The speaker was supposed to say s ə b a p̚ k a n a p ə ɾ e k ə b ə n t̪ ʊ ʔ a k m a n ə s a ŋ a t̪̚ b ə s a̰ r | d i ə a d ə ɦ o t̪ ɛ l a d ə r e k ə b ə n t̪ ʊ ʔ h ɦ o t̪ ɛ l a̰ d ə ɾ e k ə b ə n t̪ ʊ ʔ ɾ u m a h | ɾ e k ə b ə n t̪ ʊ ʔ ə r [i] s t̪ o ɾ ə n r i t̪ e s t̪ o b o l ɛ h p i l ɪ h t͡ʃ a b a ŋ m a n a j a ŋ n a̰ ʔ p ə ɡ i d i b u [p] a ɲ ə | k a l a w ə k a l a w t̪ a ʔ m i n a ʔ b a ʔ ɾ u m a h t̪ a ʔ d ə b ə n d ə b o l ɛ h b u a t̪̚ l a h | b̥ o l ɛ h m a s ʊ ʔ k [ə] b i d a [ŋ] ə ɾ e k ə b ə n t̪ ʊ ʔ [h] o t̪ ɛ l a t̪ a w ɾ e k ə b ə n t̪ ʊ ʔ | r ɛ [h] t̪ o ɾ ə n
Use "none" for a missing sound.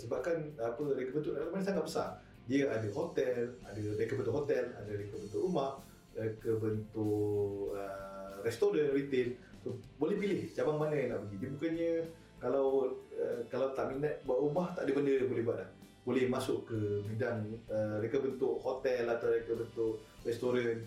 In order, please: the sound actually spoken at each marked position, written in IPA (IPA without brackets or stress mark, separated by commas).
ɛ, k, ə, ŋ, h, s